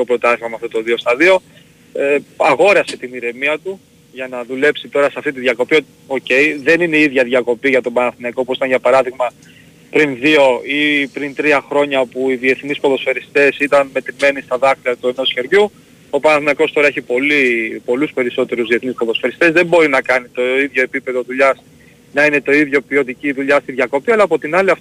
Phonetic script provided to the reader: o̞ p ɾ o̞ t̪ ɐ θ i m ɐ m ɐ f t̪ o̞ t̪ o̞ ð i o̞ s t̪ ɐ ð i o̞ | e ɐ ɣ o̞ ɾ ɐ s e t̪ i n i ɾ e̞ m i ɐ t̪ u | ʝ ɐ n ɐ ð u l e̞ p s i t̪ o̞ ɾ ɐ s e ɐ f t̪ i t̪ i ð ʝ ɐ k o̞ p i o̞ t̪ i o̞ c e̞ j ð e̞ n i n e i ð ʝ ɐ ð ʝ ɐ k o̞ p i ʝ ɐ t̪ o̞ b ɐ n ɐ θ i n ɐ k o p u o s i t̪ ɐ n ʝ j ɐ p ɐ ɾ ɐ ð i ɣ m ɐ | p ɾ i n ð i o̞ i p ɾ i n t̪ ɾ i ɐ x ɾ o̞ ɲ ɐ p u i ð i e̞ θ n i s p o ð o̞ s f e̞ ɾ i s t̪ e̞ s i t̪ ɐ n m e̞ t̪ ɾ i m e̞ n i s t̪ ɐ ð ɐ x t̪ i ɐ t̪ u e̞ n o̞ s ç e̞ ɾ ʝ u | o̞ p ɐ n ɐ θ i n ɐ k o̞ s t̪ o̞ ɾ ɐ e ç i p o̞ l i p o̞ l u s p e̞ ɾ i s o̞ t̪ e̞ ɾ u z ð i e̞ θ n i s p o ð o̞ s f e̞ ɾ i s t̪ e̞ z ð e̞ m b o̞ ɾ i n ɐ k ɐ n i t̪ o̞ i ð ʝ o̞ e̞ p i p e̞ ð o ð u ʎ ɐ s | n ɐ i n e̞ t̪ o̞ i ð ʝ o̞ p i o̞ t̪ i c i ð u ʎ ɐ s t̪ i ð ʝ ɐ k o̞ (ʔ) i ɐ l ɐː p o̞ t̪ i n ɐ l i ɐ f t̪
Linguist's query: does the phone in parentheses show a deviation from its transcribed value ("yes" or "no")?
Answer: yes